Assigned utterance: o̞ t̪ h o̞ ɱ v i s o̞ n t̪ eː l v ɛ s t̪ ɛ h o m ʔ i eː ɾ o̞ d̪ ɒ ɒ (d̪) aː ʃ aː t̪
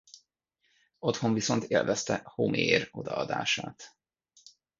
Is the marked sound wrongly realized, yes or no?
no